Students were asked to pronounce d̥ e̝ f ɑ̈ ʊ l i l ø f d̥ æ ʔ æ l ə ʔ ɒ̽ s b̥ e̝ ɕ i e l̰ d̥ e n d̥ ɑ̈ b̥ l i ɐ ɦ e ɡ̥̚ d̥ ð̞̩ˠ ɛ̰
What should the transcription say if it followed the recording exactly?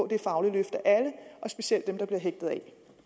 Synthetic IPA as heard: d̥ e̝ f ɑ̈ ʊ l i l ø f d̥ æ ʔ æ l ə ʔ ɒ̽ s b̥ e̝ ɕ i e l̰ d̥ e m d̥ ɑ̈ b̥ l i ɐ ɦ e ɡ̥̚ d̥ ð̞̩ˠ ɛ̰